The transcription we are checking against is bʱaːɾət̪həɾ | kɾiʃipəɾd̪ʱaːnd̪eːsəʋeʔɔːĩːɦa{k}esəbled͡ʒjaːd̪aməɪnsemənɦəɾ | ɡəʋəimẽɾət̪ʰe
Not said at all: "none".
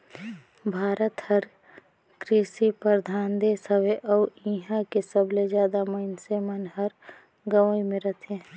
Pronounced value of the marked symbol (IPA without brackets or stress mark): k